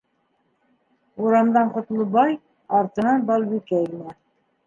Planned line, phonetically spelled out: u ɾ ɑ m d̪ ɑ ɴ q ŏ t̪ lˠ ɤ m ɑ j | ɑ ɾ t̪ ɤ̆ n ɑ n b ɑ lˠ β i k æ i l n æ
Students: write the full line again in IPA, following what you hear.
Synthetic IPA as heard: u ɾ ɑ m d̪ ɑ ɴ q ŏ t̪ lˠ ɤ b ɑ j | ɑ ɾ t̪ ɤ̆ n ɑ n b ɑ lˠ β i k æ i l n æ

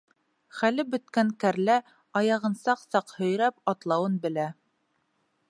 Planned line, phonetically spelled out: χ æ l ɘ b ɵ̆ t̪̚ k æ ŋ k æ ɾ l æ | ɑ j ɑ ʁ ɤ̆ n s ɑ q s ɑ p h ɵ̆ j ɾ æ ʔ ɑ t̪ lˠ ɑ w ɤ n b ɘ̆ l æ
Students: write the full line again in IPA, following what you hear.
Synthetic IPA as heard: χ æ l ɘ b ɵ̆ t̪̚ k æ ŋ k æ ɾ l æ | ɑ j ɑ ʁ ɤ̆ n s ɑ q s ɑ q h ɵ̆ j ɾ æ p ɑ t̪ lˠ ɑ w ɤ n b ɘ̆ l æ

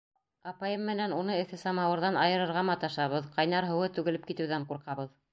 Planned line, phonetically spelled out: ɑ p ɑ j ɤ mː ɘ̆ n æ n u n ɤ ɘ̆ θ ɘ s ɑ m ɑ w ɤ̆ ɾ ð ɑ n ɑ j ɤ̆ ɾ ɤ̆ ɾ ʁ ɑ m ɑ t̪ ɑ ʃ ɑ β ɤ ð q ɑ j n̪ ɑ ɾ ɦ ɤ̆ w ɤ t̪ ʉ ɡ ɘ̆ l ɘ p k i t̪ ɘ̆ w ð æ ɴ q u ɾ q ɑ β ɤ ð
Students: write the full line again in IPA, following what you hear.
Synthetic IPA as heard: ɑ p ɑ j ɤ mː ɘ̆ n æ n u n ɤ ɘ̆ θ ɘ s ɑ m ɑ w ɤ̆ ɾ ð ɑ n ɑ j ɤ̆ ɾ ɤ̆ ɾ ʁ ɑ m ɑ t̪ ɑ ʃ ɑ β ɤ ð q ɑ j n̪ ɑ ɾ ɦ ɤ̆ w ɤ t̪ ʉ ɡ ɘ̆ l ɘ p k i t̪ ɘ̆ w ð æ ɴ q u ɾ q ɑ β ɤ ð

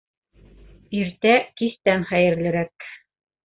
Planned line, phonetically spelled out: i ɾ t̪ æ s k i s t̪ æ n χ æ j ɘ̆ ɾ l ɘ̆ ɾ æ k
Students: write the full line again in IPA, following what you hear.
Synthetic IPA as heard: i ɾ t̪ æ k i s t̪ æ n χ æ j ɘ̆ ɾ l ɘ̆ ɾ æ k

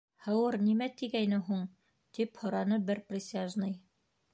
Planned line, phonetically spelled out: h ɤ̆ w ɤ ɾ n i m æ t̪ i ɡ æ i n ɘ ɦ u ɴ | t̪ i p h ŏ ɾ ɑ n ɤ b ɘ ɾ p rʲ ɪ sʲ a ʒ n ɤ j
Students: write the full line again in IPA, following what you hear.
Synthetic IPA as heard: h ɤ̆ w ɤ ɾ n i m æ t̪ i ɡ æ j n ɘ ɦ u ɴ | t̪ i p h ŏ ɾ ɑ n ɤ b ɘ ɾ p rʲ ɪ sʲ a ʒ n ɤ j

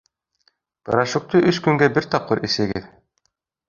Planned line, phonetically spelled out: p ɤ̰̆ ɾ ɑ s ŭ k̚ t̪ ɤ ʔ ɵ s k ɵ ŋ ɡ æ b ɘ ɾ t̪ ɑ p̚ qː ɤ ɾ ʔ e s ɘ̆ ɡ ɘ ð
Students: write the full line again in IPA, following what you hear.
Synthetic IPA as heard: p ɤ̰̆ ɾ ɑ ʃ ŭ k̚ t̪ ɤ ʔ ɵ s k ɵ ŋ ɡ æ b ɘ ɾ t̪ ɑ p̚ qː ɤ ɾ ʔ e s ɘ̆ ɡ ɘ ð

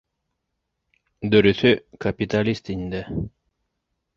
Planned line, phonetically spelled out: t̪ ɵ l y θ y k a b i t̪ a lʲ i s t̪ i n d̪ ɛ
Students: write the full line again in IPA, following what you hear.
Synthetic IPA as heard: d̪ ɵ ɾ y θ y k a p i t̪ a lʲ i s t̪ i n d̪ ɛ

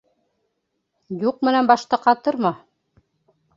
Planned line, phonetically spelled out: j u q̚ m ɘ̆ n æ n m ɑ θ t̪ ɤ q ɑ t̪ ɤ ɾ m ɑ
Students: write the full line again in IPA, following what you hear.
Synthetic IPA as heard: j u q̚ m ɘ̆ n æ n b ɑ ʃ t̪ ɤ q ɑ t̪ ɤ ɾ m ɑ

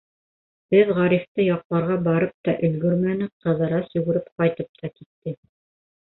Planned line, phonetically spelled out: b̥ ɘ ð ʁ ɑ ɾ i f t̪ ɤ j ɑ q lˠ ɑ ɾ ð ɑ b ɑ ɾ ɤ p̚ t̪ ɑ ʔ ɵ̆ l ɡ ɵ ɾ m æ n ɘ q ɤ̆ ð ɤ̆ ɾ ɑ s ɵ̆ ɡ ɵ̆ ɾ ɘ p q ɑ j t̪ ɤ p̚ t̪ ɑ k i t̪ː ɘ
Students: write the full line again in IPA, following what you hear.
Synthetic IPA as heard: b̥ ɘ ð ʁ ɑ ɾ i f t̪ ɤ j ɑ q lˠ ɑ ɾ ʁ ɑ b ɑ ɾ ɤ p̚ t̪ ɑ ʔ ɵ̆ l ɡ ɵ ɾ m æ n ɘ q ɤ̆ ð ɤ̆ ɾ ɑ s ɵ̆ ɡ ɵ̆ ɾ ɘ p q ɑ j t̪ ɤ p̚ t̪ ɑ k i t̪ː ɘ

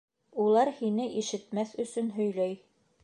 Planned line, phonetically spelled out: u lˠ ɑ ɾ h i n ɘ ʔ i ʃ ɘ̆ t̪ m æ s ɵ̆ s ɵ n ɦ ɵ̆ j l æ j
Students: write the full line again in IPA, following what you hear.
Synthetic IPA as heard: u lˠ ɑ ɾ h i n ɘ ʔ i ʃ ɘ̆ t̪ m æ θ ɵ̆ s ɵ n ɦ ɵ̆ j l æ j

